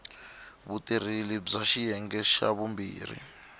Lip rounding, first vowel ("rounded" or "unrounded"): rounded